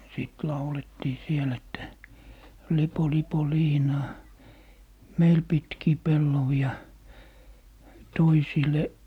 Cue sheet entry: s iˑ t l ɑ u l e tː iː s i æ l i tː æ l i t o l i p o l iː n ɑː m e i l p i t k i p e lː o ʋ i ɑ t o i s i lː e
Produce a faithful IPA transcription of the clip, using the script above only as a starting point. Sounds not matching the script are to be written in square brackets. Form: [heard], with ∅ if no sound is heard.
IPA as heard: s iˑ t l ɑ u l e tː iː s i [e] l [e] tː æ l i [p] o l i p o l iː n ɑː m e i l p i t k [iː] p e lː o ʋ i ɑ t o i s i [l] e